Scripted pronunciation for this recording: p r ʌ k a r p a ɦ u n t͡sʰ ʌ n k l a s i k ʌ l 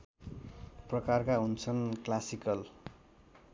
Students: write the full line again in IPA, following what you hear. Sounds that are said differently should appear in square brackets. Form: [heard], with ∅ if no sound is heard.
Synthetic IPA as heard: p r ʌ k a r [k] a ɦ u n t͡sʰ ʌ n k l a s i k ʌ l